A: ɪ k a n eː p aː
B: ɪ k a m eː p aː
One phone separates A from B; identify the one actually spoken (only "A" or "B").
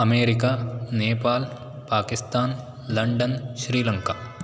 A